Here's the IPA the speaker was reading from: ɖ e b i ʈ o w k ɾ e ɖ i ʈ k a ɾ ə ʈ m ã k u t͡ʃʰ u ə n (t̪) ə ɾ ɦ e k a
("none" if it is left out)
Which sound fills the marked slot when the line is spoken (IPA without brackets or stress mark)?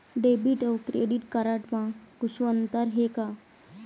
t̪